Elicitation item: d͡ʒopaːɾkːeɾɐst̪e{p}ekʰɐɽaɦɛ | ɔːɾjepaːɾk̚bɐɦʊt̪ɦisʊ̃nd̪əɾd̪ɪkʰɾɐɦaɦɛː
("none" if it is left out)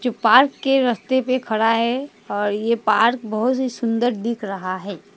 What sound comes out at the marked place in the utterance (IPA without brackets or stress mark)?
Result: p